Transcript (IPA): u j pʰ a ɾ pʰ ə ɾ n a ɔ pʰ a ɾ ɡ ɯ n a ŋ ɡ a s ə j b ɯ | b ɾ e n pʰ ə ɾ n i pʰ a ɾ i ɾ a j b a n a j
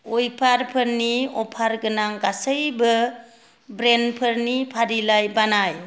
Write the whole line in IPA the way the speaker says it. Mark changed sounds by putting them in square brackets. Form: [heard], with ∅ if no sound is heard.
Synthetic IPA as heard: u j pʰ a ɾ pʰ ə ɾ n [i] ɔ pʰ a ɾ ɡ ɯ n a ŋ ɡ a s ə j b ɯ | b ɾ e n pʰ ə ɾ n i pʰ a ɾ i [l] a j b a n a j